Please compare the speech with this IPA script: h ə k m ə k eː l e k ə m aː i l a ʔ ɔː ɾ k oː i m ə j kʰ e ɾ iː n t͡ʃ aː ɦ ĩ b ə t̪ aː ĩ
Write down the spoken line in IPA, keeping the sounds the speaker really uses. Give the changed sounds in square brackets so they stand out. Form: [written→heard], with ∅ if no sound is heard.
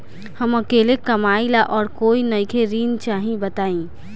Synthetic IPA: h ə [k→∅] m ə k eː l e k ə m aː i l a ʔ ɔː ɾ k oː i [m→n] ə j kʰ e ɾ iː n t͡ʃ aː ɦ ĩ b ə t̪ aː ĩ